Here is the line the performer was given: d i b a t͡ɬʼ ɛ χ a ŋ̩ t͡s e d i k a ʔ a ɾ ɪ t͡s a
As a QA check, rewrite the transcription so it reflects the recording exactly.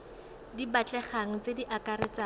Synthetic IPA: d i b a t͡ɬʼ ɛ χ a ŋ̩ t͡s e d i ʔ a k a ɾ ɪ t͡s a

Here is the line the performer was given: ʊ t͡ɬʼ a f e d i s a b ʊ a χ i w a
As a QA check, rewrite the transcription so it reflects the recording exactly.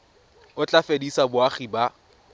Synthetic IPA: ʊ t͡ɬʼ a f e d i s a b ʊ a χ i b a

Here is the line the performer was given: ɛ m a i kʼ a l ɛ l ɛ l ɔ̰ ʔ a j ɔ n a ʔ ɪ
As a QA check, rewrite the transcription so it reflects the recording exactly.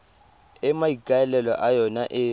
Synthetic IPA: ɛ m a i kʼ a ɛ l ɛ l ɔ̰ ʔ a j ɔ n a ʔ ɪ

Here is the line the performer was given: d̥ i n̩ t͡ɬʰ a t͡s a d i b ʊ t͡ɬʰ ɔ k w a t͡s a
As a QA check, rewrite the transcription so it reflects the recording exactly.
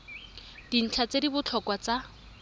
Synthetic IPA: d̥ i n̩ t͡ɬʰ a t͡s e d i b ʊ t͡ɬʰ ɔ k w a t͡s a

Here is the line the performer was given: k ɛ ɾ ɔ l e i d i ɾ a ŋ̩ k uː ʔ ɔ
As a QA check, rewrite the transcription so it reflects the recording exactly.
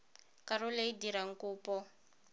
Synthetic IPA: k a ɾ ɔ l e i d i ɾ a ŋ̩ k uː p ɔ

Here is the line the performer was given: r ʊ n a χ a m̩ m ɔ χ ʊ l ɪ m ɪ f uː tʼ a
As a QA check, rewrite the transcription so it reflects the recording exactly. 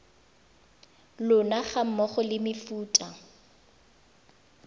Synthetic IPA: l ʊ n a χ a m̩ m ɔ χ ʊ l ɪ m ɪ f uː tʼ a

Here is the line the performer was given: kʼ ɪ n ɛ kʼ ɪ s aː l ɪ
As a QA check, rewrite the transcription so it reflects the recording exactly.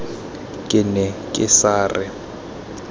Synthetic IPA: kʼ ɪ n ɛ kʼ ɪ s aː r ɪ

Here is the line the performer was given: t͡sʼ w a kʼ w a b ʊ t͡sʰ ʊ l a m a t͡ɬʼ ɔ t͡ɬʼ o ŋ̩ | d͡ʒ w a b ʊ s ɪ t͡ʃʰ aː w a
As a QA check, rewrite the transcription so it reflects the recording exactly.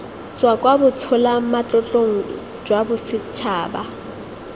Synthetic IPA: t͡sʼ w a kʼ w a b ʊ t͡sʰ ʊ l a m a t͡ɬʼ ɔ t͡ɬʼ o ŋ̩ | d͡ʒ w a b ʊ s ɪ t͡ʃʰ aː b a

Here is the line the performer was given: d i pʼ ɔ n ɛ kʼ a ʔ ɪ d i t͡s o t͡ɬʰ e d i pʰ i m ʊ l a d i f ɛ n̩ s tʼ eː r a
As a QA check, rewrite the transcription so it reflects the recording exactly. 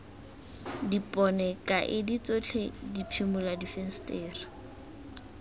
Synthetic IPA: d i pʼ ɔ n ɛ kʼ a ʔ ɪ d i t͡s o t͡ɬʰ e d i pʰ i m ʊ l a d i f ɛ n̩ s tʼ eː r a

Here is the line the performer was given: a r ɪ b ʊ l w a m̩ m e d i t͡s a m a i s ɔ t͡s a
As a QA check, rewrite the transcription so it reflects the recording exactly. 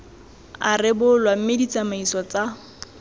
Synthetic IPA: a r ɪ b ʊ l w a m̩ m e d i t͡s a m a i s ɔ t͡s a

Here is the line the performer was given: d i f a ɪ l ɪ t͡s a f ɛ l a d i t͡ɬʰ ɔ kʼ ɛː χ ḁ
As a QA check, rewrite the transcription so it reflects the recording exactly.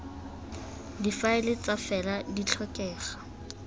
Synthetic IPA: d i f a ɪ l ɪ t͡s a f ɛ l a d i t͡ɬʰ ɔ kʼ ɛː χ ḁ

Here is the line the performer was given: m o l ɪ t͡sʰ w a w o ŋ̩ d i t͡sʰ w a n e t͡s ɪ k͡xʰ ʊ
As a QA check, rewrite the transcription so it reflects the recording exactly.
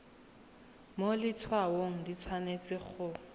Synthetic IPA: m o l ɪ t͡sʰ w a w o ŋ̩ d i t͡sʰ w a n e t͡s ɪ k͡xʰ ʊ

